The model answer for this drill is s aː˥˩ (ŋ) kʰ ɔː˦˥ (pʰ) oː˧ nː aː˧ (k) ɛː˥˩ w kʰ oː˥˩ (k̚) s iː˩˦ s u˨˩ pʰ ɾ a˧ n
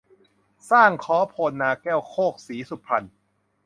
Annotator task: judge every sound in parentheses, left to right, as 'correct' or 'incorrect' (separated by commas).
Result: correct, correct, correct, correct